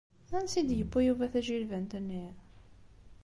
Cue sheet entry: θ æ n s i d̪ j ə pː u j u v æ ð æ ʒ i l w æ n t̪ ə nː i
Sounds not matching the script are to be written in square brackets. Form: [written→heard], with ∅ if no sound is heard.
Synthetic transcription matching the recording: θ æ n s i d̪ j ə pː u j u v æ [ð→θ] æ ʒ i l [w→v] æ n t̪ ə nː i